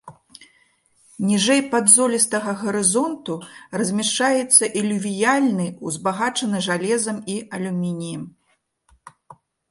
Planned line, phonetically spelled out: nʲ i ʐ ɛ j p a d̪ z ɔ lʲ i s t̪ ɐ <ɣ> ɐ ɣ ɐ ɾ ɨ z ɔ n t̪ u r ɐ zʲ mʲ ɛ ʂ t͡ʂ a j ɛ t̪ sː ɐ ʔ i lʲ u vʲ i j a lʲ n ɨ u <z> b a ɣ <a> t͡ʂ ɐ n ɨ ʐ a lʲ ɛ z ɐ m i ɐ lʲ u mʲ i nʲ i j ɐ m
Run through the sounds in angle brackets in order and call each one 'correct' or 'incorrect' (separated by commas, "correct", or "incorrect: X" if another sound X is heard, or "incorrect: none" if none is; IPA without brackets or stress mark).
correct, correct, correct